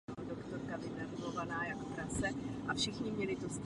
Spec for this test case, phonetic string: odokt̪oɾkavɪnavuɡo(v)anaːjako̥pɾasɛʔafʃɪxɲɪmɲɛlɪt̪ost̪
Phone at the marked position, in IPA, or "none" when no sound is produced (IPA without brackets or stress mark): v